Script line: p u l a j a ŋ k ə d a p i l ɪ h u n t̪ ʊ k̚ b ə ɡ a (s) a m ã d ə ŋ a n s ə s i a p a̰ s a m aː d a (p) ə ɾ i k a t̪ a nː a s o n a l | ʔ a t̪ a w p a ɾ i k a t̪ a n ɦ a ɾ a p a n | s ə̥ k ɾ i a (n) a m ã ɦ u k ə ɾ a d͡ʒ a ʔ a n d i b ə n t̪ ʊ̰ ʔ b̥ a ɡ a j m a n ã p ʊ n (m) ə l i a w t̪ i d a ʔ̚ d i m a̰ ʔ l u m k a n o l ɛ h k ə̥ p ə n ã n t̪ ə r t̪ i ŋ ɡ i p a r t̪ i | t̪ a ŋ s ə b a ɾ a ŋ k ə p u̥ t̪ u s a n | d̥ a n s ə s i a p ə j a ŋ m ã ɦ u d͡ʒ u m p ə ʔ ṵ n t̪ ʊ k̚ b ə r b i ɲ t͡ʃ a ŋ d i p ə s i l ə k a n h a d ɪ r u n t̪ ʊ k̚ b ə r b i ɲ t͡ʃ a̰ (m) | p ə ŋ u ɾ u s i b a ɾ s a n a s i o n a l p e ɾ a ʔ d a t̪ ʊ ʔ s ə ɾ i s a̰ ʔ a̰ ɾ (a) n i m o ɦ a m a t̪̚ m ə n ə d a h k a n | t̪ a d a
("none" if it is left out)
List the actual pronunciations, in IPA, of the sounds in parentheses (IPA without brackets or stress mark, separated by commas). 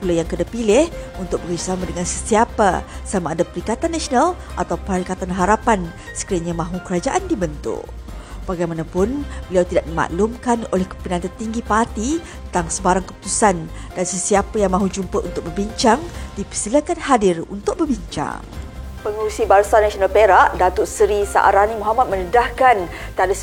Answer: s, p, ɲ, b, ŋ, a